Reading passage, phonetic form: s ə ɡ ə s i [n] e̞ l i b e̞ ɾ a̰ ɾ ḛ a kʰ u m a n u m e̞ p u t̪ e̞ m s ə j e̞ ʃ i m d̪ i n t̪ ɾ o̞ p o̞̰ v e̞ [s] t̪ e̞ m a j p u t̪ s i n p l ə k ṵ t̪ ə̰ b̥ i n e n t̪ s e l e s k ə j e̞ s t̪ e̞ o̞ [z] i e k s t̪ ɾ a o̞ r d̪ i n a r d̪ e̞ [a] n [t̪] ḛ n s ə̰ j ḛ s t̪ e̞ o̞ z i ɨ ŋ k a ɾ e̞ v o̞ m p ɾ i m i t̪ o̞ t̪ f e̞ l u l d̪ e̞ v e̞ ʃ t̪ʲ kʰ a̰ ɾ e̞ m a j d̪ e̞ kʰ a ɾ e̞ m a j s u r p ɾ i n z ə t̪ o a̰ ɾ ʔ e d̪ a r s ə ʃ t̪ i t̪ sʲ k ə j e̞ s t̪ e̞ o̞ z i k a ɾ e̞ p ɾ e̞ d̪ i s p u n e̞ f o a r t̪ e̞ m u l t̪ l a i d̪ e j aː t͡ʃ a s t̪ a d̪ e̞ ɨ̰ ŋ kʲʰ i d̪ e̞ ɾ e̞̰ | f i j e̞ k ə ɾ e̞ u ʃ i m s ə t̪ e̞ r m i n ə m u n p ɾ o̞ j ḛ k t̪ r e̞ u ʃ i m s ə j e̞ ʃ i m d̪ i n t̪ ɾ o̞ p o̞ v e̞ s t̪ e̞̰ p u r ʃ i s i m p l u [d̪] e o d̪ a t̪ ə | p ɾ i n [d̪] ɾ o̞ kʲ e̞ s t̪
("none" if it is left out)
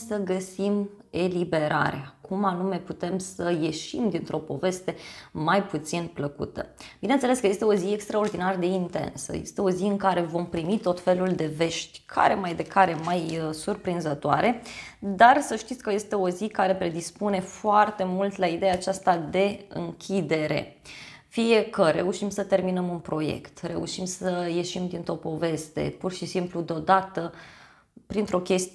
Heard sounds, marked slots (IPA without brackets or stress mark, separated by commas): m, s, z, i, t̪, d̪, t̪